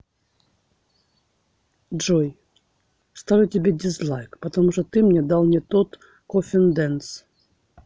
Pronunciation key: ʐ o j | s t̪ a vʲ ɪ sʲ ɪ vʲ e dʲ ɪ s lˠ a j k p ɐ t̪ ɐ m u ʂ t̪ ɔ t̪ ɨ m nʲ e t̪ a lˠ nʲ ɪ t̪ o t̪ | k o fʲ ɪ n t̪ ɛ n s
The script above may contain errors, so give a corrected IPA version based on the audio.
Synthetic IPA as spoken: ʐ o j | s t̪ a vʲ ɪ tʲ ɪ bʲ e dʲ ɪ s lˠ a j k p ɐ t̪ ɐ m u ʂ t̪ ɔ t̪ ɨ m nʲ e d̪ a lˠ nʲ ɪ t̪ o t̪ | k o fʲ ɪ n d̪ ɛ n s